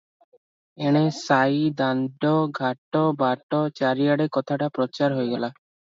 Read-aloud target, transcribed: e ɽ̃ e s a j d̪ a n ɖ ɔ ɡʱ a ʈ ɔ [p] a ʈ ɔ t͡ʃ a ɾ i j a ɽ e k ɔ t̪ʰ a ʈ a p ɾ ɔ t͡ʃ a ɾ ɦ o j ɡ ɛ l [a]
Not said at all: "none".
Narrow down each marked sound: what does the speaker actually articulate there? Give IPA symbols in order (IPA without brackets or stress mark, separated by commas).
b, a